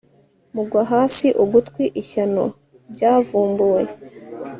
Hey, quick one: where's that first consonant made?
lips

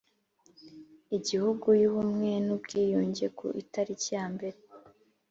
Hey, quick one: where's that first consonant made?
palate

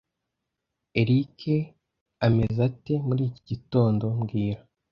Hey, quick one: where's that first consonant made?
tongue tip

